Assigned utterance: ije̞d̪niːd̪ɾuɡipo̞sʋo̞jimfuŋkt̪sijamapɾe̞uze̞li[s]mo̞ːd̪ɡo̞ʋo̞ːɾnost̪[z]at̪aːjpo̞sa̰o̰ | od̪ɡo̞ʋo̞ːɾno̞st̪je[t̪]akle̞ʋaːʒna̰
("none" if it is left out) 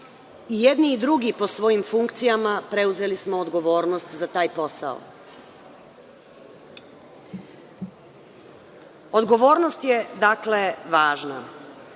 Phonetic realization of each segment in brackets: s, z, d̪

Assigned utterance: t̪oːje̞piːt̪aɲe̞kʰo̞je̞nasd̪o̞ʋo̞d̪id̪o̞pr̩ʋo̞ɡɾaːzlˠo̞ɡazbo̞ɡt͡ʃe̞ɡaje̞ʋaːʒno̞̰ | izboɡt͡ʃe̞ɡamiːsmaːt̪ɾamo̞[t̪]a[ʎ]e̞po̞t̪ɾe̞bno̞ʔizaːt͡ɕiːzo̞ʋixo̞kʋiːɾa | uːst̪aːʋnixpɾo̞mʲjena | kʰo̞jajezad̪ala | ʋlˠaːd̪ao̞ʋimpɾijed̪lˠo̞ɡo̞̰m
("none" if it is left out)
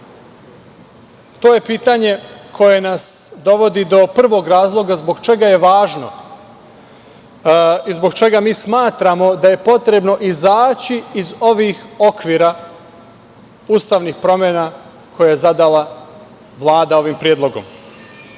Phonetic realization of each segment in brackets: d̪, j

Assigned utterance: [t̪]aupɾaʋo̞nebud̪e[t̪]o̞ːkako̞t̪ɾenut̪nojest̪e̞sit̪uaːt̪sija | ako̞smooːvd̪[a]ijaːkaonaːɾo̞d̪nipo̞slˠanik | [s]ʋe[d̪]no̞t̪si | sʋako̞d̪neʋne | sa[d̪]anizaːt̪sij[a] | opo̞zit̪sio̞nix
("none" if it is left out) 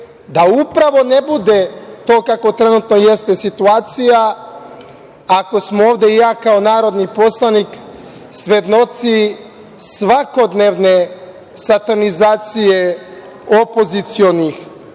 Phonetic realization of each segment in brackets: d̪, t̪, e, s, d̪, t̪, e

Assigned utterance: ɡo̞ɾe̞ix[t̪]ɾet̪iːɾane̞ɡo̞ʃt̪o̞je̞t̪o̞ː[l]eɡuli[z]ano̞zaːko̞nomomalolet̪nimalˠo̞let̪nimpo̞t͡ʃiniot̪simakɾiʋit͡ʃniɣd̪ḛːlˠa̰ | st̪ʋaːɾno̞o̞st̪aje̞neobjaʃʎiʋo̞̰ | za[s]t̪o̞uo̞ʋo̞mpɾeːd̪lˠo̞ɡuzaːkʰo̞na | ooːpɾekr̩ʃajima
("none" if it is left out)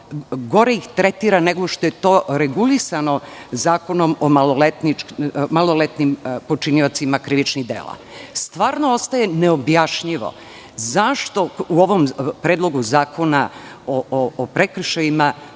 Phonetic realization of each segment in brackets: t̪, ɾ, s, ʃ

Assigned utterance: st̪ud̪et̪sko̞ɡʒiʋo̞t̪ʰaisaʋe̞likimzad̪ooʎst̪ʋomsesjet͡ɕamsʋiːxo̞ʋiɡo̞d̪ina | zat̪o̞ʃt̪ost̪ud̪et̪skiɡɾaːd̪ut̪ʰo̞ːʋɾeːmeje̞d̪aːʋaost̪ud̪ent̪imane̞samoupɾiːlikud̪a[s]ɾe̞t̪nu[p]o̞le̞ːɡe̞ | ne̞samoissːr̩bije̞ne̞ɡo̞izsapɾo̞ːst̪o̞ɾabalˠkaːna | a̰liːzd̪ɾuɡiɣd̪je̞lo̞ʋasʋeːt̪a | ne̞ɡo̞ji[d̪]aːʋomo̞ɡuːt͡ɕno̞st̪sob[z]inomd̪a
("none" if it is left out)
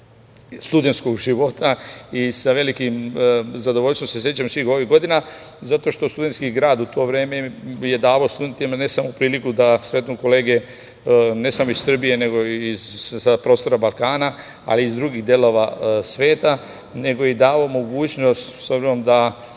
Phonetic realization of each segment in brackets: s, k, d̪, z

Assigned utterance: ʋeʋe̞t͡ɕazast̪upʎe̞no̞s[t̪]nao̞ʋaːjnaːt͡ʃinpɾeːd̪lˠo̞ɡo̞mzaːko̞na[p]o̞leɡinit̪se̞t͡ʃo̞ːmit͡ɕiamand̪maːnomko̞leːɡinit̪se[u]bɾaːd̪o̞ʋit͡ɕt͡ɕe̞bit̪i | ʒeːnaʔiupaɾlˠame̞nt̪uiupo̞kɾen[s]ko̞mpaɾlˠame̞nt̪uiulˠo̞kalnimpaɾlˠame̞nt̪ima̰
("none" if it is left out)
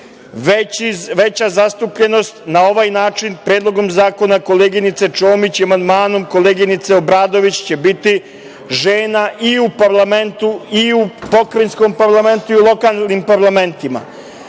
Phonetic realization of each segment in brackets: t̪, k, o, s

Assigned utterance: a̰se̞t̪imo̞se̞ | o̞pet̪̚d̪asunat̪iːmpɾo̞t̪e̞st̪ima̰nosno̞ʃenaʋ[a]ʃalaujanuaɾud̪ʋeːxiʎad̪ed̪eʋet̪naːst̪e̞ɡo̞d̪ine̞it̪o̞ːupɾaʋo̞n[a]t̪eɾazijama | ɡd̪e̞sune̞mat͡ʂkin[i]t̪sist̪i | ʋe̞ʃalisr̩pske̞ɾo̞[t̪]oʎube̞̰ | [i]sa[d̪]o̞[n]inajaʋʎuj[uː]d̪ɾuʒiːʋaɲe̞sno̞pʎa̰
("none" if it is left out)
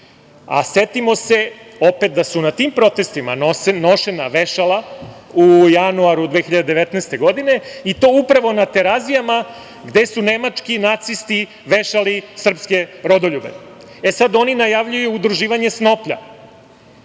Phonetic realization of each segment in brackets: e, a, a, d̪, e, d̪, n, uː

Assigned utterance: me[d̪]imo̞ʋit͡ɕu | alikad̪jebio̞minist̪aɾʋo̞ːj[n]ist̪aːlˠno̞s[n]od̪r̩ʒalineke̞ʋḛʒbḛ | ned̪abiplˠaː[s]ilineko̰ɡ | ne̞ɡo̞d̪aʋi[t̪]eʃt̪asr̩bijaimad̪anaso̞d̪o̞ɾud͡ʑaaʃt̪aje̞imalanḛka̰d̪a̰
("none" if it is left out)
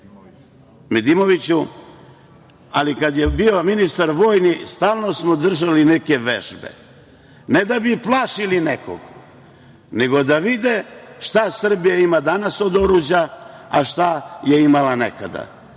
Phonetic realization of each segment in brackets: d̪, n, m, ʃ, d̪

